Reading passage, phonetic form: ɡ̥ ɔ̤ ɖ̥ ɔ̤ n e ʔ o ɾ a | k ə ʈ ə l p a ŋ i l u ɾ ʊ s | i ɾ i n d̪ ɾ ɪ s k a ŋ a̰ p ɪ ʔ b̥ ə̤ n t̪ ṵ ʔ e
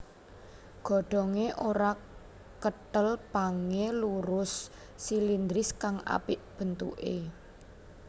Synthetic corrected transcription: ɡ̥ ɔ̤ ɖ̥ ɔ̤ ŋ e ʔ o ɾ a | k ə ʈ ə l p a ŋ e l u ɾ ʊ sː | i l i n d̪ ɾ ɪ s k a ŋ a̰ p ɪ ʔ b̥ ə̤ n t̪ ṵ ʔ e

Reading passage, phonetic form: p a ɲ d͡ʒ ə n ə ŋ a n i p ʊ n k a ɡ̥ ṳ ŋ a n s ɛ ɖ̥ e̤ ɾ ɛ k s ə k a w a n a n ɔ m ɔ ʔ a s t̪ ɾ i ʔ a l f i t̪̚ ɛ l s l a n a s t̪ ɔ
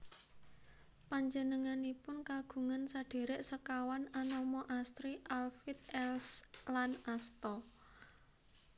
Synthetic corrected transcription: p a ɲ d͡ʒ ə n ə ŋ a n i p ʊ n k a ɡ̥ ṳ ŋ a n s a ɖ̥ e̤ ɾ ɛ ʔ s ə k a w a n a n ɔ m ɔ ʔ a s t̪ ɾ i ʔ a l f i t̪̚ ɛ l s l a n a s t̪ ɔ

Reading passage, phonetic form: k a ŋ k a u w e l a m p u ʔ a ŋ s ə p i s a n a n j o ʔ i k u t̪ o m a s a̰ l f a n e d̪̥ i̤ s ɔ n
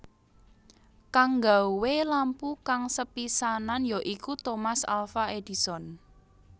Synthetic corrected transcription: k a ŋ ɡ a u w e l a m p u k a ŋ s ə p i s a n a n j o ʔ i k u t̪ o m a s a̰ l f a e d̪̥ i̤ s ɔ n

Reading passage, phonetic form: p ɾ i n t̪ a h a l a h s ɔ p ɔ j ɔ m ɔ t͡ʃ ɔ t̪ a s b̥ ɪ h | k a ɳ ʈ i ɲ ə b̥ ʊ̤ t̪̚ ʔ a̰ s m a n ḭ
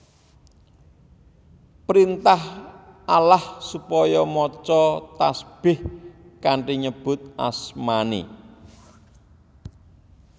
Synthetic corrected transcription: p ɾ i n t̪ a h a l a h s u p ɔ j ɔ m ɔ t͡ʃ ɔ t̪ a s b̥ ɪ h | k a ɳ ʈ i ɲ ə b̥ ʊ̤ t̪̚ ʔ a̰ s m a n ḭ

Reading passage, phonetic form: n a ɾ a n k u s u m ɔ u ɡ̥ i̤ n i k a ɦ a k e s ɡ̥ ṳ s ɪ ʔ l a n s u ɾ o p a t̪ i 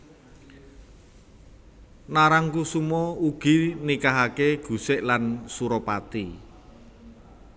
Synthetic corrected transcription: n a ɾ a ŋ k u s u m ɔ u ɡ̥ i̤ n i k a ɦ a k e ɡ̥ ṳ s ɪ ʔ l a n s u ɾ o p a t̪ i

